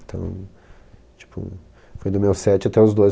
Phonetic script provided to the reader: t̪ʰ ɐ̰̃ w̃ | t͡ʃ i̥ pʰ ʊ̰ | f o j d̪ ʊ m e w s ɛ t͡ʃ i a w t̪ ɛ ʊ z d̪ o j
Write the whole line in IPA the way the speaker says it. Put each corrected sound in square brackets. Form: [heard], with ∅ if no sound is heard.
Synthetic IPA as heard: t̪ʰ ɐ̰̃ w̃ | t͡ʃ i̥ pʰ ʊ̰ | f o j d̪ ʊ m e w s ɛ t͡ʃ [ɪ] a [∅] t̪ ɛ ʊ z d̪ o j

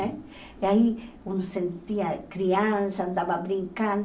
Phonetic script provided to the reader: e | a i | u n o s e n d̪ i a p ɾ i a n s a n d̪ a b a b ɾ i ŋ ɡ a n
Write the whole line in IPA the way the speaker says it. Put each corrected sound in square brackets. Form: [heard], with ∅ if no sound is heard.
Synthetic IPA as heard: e | a i | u n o s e n [t̪] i a [k] ɾ i a n s a n d̪ a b a b ɾ i ŋ [k] a n

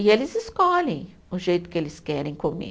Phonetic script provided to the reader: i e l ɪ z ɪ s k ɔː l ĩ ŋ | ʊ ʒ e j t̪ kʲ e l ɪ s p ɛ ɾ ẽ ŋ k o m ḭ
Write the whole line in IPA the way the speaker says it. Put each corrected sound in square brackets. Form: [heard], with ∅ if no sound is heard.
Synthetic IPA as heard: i e l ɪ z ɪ s k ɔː l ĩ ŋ | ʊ ʒ e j t̪ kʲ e l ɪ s [k] ɛ ɾ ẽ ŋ k o m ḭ

